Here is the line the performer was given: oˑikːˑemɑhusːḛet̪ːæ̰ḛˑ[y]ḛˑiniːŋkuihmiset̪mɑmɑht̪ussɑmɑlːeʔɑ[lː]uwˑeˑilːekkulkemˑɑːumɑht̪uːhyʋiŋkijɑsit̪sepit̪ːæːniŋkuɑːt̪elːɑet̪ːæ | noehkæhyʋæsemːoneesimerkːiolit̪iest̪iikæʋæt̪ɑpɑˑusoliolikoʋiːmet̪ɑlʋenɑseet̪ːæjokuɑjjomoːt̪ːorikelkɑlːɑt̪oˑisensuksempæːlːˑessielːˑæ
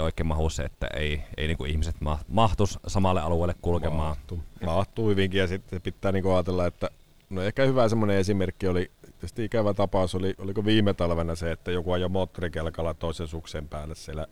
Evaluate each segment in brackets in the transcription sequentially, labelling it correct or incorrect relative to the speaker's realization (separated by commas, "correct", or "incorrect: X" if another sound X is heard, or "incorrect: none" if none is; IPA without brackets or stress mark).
incorrect: i, incorrect: l